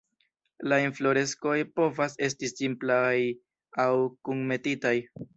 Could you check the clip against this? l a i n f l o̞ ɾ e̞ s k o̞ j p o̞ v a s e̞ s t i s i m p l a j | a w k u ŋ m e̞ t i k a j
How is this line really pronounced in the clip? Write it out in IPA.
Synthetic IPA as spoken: l a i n f l o̞ ɾ e̞ s k o̞ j p o̞ v a s e̞ s t i s i m p l a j | a w k u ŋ m e̞ t i t a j